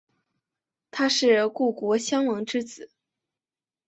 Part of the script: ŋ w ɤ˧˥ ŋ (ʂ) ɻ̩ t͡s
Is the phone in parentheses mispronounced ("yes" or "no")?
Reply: yes